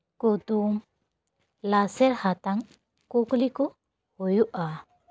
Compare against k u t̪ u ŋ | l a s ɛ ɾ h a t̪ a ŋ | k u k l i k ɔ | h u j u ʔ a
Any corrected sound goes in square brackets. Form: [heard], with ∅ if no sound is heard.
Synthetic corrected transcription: k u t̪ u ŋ | l a s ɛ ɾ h a t̪ a ŋ | k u k l i k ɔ | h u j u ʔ a